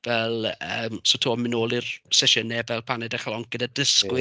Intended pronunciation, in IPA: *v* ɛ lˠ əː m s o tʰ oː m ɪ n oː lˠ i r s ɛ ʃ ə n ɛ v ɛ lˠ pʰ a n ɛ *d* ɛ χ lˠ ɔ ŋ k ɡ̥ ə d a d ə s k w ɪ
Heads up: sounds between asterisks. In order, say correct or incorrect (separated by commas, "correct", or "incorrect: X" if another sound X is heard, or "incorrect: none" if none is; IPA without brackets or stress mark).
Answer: correct, correct